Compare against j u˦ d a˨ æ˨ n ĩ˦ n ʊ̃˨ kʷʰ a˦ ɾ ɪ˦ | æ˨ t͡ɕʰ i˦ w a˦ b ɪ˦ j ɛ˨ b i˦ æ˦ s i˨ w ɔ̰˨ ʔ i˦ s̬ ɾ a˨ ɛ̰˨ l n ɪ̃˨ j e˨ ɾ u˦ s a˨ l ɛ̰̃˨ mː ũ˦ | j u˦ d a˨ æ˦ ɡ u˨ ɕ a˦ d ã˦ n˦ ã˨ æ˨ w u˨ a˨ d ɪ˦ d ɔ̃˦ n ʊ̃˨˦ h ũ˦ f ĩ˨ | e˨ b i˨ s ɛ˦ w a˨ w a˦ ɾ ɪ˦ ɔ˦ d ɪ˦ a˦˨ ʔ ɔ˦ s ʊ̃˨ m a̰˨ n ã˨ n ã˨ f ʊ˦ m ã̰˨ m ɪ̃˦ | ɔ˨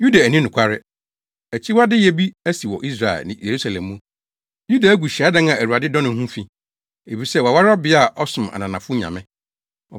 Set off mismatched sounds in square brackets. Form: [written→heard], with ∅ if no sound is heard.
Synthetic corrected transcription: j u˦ d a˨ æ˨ n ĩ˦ n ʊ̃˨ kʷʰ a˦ ɾ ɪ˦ | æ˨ t͡ɕʰ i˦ w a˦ [b→d] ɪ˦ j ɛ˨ b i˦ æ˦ s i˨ w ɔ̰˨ ʔ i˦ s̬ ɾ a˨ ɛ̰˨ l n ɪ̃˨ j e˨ ɾ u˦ s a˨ l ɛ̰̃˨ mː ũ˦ | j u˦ d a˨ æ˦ ɡ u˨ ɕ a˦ d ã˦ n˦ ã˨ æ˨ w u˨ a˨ d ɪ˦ d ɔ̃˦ n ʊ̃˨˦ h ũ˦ f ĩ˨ | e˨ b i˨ s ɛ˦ w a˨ w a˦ ɾ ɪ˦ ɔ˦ [d→b] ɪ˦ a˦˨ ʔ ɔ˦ s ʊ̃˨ m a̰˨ n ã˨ n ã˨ f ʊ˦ [m→ɲ] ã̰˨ m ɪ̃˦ | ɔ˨